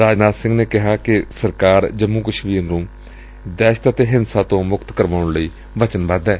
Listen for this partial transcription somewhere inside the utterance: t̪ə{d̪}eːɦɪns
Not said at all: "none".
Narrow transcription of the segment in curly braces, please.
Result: t̪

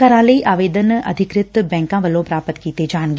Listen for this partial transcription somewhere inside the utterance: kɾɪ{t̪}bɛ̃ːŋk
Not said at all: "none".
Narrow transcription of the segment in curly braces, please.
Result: t̪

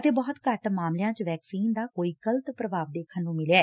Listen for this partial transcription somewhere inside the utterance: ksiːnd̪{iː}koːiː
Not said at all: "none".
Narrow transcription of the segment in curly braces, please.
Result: aː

